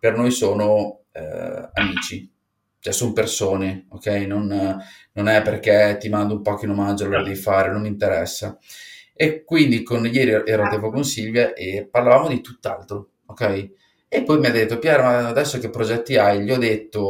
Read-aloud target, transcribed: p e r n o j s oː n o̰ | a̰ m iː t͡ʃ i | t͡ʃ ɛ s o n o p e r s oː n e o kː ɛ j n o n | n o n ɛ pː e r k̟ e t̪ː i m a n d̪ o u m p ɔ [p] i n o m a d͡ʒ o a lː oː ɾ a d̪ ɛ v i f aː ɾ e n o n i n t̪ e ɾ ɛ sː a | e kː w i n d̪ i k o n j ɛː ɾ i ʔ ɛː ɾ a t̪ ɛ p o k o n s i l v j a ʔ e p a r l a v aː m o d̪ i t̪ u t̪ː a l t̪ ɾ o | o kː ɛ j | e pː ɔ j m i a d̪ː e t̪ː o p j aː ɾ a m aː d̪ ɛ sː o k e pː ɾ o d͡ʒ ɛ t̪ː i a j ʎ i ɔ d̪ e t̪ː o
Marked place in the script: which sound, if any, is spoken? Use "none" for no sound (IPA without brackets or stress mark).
k